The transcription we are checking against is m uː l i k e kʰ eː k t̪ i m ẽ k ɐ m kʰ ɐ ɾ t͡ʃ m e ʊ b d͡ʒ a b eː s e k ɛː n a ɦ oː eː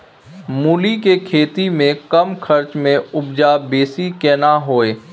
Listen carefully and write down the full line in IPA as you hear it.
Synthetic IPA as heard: m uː l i k e kʰ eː t̪ i m ẽ k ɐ m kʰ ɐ ɾ t͡ʃ m ẽ ʊ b d͡ʒ a b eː s i k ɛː n a ɦ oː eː